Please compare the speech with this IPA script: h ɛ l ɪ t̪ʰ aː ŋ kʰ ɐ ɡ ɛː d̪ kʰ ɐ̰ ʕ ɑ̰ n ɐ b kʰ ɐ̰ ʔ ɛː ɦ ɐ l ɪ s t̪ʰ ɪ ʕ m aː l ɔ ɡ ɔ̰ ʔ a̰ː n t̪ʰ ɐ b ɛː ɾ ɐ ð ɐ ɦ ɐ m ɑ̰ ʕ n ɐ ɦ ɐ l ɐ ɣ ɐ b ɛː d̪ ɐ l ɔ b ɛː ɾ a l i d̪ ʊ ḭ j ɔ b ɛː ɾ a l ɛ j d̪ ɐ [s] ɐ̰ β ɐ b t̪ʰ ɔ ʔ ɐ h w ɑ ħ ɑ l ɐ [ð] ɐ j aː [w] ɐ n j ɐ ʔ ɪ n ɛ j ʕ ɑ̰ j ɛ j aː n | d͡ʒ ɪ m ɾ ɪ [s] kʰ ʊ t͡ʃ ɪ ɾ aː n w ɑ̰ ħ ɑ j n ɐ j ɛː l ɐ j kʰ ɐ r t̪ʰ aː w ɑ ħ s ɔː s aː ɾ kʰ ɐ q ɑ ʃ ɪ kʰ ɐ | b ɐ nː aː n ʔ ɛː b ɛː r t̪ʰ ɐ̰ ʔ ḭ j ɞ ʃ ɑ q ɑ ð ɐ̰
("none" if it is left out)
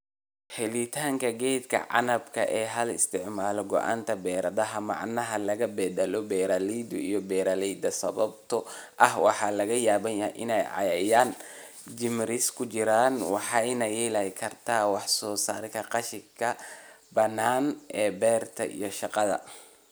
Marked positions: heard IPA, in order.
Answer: s, ɣ, β, s

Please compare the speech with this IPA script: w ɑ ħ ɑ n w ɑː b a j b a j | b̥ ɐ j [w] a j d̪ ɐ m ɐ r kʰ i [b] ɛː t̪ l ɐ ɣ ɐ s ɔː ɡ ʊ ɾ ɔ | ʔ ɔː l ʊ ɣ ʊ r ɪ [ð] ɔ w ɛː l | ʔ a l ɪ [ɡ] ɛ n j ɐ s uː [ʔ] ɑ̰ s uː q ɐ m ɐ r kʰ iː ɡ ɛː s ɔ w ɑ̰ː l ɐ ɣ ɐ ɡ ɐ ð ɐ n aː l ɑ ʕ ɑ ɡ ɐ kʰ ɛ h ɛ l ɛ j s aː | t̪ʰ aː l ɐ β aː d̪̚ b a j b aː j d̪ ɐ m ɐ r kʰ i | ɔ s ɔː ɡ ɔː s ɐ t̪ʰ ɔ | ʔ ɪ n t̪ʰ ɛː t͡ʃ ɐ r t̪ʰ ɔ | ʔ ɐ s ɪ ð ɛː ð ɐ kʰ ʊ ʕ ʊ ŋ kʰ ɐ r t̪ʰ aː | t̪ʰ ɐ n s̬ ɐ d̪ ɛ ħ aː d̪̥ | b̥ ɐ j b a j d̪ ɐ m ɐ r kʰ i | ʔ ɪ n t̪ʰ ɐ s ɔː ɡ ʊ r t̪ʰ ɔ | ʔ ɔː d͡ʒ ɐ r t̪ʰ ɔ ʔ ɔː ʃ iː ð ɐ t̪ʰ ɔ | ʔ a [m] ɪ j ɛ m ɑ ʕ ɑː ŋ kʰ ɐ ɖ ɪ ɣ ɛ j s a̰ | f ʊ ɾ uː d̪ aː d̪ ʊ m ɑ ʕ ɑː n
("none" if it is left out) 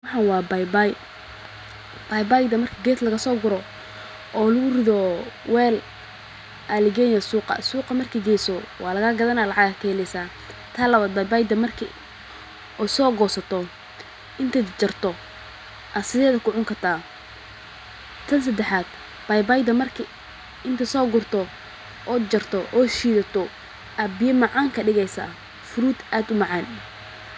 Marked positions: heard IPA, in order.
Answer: b, ɡ, ð, ɡ, q, b

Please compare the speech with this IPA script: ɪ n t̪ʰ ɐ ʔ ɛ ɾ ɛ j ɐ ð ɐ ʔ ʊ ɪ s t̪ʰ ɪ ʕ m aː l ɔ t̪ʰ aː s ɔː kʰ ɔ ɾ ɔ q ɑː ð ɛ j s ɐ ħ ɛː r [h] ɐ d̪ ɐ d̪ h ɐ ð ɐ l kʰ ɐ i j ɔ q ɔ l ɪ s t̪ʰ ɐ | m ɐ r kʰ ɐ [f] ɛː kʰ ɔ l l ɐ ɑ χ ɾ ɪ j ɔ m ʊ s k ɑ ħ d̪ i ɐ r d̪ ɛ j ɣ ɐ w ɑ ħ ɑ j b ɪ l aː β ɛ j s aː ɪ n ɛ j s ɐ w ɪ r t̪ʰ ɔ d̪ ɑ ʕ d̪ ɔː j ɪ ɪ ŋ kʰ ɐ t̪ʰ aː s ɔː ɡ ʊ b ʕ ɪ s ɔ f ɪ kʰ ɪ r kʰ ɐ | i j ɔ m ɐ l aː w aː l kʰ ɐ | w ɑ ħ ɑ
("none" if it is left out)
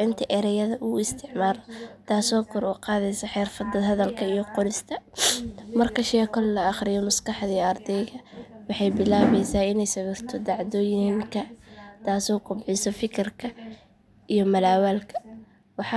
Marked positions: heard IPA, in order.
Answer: f, ʃ

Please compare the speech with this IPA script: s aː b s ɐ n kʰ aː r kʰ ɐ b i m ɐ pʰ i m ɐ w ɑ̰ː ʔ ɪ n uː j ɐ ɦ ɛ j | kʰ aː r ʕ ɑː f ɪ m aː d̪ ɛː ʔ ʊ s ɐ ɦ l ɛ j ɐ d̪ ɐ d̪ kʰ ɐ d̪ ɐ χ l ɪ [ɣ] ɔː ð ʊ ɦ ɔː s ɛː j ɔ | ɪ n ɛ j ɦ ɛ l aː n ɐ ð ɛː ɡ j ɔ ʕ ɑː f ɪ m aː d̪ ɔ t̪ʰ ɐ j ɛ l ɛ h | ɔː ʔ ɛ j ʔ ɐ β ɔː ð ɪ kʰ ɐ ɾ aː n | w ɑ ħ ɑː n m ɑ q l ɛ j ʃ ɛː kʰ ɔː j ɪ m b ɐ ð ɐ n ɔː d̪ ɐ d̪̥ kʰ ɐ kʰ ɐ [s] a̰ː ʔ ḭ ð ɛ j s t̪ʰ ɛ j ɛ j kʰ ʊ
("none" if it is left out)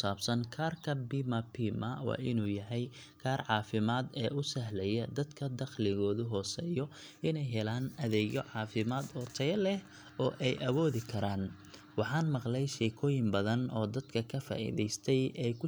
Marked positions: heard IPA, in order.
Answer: ɣ, f

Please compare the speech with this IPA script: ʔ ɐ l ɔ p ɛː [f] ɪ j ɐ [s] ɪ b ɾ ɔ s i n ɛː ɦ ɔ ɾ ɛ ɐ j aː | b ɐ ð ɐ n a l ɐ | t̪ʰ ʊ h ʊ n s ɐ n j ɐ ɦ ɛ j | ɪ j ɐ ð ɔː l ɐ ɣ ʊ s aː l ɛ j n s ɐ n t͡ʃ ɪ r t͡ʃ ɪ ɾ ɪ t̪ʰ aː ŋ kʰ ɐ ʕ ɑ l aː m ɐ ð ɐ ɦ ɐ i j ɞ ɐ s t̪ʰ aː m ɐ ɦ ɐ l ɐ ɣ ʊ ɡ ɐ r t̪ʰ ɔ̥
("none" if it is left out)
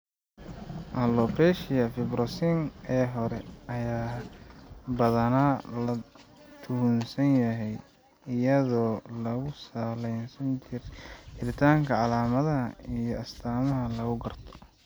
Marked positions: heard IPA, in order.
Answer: ʃ, f

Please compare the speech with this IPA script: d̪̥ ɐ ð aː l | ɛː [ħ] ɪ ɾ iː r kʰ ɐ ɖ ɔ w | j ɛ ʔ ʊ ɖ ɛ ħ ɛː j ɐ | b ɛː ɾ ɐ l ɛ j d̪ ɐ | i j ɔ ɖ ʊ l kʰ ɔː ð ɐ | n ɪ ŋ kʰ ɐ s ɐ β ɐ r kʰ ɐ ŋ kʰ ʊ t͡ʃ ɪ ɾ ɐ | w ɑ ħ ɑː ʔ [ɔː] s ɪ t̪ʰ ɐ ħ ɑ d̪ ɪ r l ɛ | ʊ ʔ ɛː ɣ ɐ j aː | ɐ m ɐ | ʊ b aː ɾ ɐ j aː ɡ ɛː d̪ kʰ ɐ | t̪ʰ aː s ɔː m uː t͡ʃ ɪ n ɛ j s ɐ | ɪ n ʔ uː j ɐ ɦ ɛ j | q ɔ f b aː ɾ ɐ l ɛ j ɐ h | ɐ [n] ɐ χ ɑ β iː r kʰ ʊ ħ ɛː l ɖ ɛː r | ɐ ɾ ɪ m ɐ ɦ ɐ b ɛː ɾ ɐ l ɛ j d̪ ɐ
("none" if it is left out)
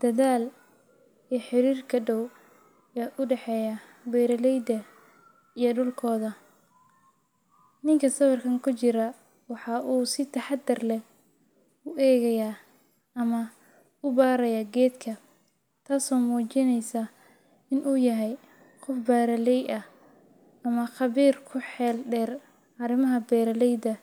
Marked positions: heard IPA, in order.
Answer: ħ, uː, m

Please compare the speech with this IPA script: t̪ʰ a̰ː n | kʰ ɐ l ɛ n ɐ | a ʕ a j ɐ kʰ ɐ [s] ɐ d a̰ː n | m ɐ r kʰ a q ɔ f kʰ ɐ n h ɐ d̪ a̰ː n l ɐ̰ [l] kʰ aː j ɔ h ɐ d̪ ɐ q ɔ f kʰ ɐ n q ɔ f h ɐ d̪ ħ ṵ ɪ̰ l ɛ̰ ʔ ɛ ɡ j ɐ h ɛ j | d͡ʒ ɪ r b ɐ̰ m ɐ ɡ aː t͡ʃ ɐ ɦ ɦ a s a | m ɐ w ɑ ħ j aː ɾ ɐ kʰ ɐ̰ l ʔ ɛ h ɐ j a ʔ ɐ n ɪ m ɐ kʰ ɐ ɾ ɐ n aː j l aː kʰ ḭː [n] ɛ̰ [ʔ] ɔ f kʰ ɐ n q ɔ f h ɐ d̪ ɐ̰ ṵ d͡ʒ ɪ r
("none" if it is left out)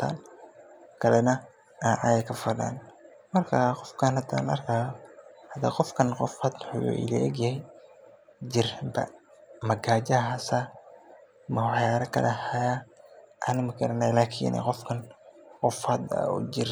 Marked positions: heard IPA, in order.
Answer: f, r, n, q

